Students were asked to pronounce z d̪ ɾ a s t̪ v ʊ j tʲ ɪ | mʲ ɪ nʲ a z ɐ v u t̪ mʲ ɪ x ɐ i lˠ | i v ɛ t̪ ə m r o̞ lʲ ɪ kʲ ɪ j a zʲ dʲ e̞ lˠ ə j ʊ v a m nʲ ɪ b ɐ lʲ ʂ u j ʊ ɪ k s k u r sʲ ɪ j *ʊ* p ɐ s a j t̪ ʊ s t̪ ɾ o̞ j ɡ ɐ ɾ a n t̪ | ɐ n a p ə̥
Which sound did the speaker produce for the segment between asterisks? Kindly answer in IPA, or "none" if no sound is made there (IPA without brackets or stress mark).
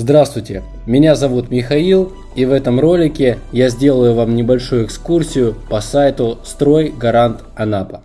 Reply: ʊ